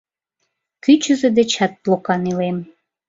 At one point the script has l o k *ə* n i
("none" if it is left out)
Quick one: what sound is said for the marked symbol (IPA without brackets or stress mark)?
ɑ